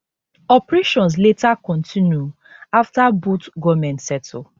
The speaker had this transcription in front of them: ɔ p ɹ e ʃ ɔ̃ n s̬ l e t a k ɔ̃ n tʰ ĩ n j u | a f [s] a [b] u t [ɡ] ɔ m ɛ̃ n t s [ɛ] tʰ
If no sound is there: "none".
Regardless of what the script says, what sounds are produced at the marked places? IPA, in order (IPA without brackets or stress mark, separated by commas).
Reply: t, b, ɡ, ɛ